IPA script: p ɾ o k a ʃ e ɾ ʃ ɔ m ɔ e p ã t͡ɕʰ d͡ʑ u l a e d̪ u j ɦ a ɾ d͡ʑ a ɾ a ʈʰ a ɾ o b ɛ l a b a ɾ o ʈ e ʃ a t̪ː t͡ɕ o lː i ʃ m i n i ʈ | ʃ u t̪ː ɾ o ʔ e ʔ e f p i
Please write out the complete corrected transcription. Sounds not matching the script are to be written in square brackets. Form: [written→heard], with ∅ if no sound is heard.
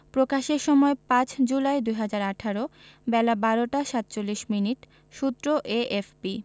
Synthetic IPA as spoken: p ɾ o k a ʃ e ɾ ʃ ɔ m ɔ e p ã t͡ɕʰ d͡ʑ u l a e d̪ u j ɦ a [ɾ→∅] d͡ʑ a ɾ a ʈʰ a ɾ o b ɛ l a b a ɾ o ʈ [e→a] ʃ a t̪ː t͡ɕ o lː i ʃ m i n i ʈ | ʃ u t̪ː ɾ o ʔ e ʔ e f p i